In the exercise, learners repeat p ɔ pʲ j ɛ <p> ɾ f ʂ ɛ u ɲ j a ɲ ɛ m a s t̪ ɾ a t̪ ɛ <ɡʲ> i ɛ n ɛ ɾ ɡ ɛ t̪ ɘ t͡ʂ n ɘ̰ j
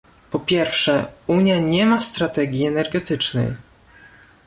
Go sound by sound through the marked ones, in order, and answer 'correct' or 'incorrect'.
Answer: incorrect, correct

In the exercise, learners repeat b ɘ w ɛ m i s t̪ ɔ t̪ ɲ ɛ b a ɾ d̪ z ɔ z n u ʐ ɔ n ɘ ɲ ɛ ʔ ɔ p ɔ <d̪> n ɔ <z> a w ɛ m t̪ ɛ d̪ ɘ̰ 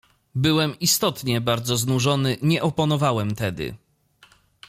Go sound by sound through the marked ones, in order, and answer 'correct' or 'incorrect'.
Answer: incorrect, incorrect

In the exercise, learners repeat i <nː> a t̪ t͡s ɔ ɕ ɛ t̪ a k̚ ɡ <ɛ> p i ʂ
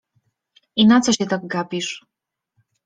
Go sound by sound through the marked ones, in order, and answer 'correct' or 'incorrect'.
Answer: incorrect, incorrect

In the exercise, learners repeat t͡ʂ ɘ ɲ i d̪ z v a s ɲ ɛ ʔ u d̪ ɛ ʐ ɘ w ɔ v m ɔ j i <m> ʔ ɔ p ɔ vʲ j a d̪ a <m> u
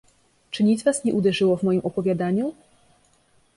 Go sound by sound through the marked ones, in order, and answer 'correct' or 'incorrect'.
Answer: correct, incorrect

